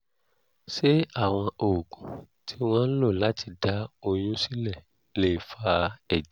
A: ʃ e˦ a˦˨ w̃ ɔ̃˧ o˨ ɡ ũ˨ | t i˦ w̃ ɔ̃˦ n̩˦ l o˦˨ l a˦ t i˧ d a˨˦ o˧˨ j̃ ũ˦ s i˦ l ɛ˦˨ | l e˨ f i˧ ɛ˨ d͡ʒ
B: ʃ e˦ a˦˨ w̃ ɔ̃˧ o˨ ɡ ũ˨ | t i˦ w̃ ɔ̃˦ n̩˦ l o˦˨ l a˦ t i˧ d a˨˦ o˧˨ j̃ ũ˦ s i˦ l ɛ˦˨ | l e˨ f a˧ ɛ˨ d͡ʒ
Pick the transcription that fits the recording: B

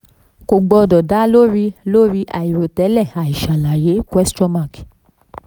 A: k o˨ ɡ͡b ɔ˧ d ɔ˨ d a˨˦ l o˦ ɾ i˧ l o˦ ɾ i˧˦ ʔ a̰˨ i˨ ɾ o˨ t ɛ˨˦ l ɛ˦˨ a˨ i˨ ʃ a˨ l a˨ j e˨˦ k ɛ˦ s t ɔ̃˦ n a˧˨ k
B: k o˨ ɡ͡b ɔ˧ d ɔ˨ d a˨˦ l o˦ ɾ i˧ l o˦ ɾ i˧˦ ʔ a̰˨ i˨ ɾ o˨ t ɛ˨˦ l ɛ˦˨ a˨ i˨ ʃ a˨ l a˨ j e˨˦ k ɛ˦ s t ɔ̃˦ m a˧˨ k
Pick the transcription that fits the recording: B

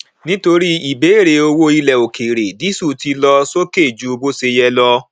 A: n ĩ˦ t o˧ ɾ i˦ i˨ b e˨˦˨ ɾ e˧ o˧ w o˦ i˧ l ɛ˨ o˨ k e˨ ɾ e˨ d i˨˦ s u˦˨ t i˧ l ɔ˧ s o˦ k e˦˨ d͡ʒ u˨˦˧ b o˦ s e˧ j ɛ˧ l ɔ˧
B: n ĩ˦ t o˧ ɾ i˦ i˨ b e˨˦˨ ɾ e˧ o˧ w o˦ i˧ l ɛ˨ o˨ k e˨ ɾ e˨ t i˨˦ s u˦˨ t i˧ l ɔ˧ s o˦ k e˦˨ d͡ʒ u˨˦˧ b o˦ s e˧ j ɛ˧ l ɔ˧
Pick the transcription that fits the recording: A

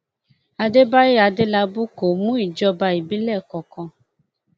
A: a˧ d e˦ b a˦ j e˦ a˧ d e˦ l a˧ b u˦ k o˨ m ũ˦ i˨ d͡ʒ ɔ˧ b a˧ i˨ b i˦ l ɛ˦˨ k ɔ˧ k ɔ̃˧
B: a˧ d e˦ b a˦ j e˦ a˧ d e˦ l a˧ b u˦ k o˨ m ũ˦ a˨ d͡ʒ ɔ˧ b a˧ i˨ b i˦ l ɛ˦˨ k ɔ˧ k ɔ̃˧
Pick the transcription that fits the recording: A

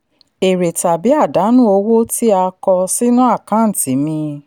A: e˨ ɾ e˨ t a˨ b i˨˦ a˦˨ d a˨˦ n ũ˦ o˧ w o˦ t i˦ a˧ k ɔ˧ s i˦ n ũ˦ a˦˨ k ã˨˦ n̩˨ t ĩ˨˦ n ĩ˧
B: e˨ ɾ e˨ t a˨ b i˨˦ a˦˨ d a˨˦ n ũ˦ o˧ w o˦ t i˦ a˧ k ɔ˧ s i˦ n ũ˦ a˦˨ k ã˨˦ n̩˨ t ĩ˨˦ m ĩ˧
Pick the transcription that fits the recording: B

